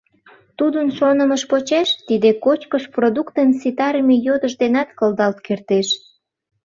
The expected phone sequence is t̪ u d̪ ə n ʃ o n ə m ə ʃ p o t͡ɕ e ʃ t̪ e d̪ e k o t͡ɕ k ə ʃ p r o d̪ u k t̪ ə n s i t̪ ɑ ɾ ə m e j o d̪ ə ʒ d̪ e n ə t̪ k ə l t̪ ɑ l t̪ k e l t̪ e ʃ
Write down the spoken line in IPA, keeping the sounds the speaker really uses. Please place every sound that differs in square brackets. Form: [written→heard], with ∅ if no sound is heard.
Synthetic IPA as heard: t̪ u d̪ ə n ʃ o n ə m ə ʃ p o t͡ɕ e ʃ t̪ [e→i] d̪ e k o t͡ɕ k ə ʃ p r o d̪ u k t̪ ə n s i t̪ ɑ ɾ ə m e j o d̪ ə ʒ d̪ e n [ə→ɑ] t̪ k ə l [t̪→d̪] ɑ l t̪ k e [l→r] t̪ e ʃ